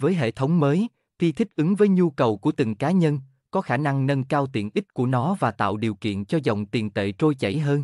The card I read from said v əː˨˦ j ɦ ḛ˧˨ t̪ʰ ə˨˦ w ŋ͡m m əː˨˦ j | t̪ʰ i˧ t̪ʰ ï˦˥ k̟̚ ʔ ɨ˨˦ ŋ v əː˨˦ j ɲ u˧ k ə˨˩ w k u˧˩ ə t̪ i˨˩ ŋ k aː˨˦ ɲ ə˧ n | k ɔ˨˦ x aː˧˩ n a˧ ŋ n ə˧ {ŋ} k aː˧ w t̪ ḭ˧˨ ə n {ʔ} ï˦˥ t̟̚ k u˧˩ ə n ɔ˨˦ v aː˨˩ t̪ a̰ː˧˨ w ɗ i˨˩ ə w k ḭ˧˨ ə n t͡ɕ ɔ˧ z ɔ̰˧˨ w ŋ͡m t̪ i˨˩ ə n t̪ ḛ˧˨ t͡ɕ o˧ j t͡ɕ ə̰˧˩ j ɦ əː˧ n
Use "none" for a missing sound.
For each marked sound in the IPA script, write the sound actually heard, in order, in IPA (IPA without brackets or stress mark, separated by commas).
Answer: n, ʔ